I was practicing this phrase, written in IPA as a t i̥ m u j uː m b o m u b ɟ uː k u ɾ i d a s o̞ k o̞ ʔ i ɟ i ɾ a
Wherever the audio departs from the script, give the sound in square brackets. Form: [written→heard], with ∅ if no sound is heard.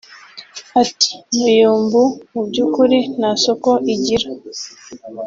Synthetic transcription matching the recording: a t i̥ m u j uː m b [o→u] m u b ɟ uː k u ɾ i [d→n] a s o̞ k o̞ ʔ i ɟ i ɾ a